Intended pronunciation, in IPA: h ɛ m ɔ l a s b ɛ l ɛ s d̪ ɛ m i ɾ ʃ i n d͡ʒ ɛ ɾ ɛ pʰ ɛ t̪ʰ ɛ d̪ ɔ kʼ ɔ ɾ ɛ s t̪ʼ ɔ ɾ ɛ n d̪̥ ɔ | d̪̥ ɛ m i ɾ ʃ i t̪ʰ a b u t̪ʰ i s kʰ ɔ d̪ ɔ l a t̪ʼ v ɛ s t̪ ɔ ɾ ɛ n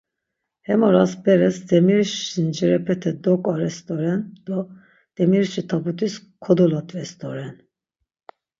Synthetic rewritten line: h ɛ m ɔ ɾ a s b ɛ ɾ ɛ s d̪ ɛ m i ɾ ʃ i n d͡ʒ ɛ ɾ ɛ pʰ ɛ t̪ʰ ɛ d̪ ɔ kʼ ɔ ɾ ɛ s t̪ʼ ɔ ɾ ɛ n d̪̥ ɔ | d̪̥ ɛ m i ɾ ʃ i t̪ʰ a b u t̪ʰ i s kʰ ɔ d̪ ɔ l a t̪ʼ v ɛ s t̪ ɔ ɾ ɛ n